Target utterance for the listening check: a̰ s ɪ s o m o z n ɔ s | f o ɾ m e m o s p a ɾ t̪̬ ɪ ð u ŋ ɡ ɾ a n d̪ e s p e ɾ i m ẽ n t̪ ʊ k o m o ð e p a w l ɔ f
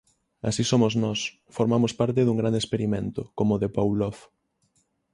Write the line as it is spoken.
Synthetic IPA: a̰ s i s o m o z n ɔ s | f o ɾ m a m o s p a ɾ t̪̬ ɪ ð u ŋ ɡ ɾ a n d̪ e s p e ɾ i m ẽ n t̪ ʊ k o m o ð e p a w l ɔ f